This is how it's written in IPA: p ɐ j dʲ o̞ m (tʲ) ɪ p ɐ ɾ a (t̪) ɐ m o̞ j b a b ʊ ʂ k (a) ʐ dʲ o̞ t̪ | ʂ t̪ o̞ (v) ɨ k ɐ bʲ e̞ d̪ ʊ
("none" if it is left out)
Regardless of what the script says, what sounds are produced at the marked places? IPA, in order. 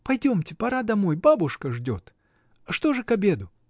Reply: tʲ, d̪, ə, ʐ

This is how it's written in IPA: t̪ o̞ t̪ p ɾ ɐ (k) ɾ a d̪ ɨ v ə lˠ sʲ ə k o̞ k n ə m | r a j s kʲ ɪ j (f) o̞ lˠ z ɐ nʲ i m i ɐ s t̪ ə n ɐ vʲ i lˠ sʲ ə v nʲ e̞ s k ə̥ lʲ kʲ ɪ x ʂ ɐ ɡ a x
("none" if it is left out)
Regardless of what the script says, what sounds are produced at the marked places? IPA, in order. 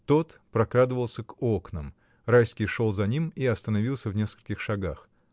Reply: k, ʂ

